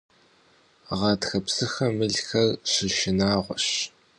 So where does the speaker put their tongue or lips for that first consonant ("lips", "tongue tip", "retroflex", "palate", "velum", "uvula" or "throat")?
uvula